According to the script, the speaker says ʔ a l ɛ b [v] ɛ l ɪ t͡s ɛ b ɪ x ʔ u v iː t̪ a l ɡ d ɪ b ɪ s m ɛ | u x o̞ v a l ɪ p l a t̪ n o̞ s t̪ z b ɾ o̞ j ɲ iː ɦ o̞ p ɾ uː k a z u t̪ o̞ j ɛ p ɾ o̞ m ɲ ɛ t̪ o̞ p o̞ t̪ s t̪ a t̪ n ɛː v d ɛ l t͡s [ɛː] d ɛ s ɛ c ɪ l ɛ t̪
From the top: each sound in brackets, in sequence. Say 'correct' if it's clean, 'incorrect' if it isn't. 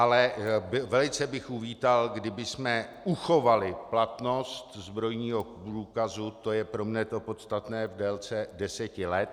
correct, incorrect: ɛ

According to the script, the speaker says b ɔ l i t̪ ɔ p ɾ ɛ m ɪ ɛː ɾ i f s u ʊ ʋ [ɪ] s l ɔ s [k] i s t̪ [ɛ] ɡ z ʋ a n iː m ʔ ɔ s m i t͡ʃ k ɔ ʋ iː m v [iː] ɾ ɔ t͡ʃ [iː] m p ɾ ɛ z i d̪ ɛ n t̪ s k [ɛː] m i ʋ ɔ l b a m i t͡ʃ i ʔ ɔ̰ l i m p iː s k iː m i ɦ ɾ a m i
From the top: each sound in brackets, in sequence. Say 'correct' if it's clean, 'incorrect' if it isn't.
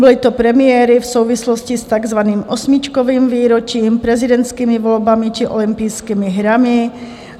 incorrect: i, incorrect: c, incorrect: a, correct, correct, incorrect: iː

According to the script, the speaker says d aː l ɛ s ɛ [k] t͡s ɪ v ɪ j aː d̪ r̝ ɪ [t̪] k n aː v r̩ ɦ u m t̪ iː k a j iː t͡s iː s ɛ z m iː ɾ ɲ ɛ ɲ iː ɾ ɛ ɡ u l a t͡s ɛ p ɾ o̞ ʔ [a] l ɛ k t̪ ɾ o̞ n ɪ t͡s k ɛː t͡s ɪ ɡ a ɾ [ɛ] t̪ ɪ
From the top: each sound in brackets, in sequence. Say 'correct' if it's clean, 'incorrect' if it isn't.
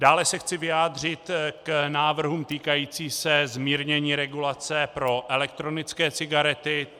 incorrect: x, correct, incorrect: ɛ, correct

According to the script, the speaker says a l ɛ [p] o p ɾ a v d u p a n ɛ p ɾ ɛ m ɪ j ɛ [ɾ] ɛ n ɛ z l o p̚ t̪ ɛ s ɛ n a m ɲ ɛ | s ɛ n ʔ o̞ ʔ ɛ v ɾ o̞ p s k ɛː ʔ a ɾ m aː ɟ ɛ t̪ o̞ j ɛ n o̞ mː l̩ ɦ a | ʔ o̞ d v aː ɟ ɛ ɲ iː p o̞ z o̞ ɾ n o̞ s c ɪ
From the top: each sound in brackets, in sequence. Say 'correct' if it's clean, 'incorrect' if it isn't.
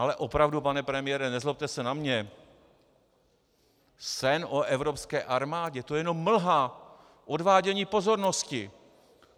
incorrect: ʔ, correct

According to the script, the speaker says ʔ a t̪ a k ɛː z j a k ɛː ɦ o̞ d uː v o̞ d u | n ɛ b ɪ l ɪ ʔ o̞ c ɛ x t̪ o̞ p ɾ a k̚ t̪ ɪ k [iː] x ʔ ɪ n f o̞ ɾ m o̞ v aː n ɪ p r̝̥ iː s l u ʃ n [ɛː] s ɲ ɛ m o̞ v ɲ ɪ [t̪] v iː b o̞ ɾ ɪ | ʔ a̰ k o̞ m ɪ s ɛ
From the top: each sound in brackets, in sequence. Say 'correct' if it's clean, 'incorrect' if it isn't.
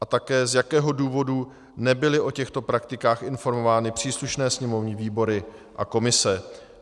incorrect: aː, correct, incorrect: none

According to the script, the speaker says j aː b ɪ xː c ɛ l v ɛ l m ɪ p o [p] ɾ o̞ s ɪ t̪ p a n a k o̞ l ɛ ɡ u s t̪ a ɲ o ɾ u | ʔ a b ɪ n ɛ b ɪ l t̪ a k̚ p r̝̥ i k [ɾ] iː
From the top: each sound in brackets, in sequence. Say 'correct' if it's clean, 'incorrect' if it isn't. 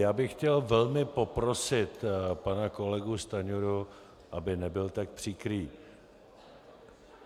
correct, correct

